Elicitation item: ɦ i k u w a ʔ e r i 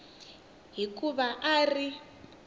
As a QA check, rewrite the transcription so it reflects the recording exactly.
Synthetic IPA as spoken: ɦ i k u β a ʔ a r i